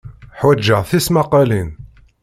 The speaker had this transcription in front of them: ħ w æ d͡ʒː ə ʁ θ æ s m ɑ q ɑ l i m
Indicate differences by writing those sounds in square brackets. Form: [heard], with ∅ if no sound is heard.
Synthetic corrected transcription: ħ w æ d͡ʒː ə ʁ θ [i] s m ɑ q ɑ l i [n]